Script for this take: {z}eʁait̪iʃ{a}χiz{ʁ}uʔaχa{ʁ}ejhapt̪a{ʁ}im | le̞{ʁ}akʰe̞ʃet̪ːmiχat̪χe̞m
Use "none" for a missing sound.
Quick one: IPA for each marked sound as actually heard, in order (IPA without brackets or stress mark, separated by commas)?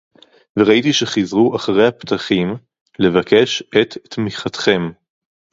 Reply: v, e, ʁ, ʁ, χ, v